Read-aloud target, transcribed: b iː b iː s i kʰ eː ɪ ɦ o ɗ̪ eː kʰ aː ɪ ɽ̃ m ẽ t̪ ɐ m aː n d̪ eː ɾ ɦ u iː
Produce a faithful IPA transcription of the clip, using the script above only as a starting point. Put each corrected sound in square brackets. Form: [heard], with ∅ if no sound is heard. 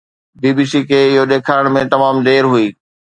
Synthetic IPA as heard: b iː b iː s i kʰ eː ɪ ɦ o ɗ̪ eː kʰ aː ɪ ɽ̃ m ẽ t̪ ɐ m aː [m] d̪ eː ɾ ɦ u iː